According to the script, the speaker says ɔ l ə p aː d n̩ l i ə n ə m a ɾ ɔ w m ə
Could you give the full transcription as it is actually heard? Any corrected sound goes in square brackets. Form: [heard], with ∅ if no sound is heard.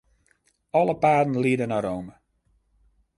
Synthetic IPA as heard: ɔ l ə p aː d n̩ l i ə [d] ə [n] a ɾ [o] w m ə